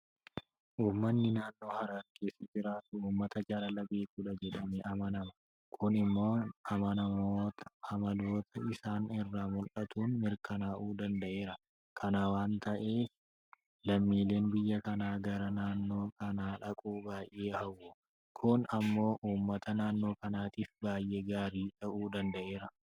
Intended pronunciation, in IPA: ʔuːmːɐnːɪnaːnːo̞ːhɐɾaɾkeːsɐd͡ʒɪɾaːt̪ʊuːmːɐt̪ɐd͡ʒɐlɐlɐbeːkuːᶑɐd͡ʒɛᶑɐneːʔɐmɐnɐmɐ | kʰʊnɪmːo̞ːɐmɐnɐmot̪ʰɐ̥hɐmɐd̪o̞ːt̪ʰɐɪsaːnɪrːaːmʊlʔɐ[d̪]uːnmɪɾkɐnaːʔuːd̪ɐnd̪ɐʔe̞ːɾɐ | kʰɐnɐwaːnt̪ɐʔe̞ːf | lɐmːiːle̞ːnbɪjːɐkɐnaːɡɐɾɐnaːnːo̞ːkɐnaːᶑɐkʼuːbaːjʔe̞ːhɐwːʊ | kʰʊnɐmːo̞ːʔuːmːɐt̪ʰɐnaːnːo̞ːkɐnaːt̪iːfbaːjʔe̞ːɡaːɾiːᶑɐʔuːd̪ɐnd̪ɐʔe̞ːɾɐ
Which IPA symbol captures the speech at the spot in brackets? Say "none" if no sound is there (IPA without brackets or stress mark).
t̪